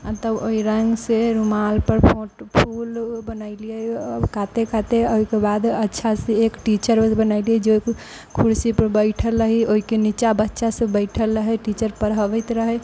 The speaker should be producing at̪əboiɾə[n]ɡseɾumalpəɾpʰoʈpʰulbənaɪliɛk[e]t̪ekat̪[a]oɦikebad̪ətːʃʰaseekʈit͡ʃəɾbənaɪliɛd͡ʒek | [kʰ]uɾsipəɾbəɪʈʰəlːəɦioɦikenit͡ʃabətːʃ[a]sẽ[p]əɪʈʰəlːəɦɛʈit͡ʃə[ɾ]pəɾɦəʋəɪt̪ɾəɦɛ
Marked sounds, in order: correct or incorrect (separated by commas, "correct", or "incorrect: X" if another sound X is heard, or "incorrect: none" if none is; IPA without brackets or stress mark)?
incorrect: ŋ, incorrect: a, incorrect: e, correct, correct, incorrect: b, correct